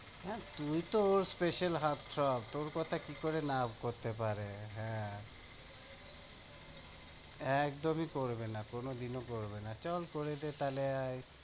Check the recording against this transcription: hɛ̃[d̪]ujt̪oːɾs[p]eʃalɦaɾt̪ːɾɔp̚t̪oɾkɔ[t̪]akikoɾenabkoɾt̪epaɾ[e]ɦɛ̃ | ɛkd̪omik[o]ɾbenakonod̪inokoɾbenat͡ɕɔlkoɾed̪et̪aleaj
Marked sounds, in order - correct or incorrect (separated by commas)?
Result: incorrect, correct, incorrect, correct, correct